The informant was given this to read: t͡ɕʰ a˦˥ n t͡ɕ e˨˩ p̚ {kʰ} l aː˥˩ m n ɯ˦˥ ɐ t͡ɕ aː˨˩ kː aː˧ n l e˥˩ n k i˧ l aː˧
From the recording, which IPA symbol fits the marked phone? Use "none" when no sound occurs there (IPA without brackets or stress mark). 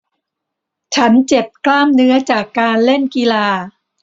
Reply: k